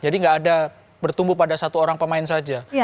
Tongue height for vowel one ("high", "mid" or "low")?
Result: low